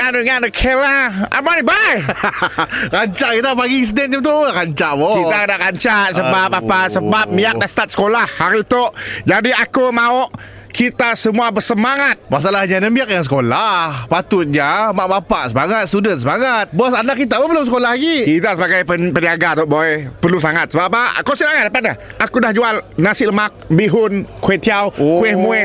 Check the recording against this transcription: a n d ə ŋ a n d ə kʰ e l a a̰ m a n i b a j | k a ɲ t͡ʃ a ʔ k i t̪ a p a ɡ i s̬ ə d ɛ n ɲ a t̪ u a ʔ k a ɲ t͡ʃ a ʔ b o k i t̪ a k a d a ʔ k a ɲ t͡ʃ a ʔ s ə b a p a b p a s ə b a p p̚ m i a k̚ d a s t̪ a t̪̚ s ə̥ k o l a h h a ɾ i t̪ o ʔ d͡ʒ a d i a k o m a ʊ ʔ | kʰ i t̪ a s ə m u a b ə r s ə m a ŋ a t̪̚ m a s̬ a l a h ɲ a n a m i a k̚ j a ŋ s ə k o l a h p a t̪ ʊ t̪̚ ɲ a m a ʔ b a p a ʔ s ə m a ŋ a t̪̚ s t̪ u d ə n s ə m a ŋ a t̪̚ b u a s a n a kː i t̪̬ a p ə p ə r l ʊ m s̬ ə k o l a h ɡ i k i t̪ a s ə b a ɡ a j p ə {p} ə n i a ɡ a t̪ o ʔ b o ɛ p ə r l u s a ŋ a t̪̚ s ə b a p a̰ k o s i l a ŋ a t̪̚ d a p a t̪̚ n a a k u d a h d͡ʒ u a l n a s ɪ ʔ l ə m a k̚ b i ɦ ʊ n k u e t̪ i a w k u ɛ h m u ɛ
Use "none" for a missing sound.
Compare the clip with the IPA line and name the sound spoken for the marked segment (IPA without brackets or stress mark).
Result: p